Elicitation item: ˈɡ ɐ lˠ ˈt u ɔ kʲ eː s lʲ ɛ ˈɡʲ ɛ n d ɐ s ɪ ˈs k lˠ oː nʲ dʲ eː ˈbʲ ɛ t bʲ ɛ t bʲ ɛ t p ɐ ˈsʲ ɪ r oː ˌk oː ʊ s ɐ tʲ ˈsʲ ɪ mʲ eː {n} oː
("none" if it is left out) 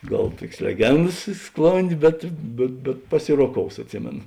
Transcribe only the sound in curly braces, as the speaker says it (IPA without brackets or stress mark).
n